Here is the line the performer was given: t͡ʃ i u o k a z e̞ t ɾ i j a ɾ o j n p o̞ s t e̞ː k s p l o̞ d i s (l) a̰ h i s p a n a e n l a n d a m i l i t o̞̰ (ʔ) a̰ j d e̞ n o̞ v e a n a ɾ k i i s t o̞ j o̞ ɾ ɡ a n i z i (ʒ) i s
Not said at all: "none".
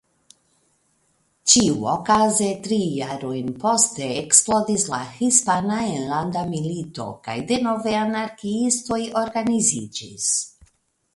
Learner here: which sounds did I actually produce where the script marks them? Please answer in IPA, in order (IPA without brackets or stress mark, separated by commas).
l, k, d͡ʒ